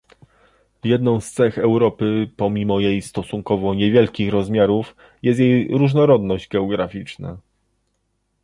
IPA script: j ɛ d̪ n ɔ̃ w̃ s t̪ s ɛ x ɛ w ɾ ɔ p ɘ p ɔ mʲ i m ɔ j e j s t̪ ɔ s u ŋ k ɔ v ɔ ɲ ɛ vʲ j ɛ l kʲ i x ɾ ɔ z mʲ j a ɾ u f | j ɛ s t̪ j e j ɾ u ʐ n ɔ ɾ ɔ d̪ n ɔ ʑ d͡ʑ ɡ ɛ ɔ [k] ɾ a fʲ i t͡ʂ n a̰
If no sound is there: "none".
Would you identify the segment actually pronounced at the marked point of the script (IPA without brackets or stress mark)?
ɡ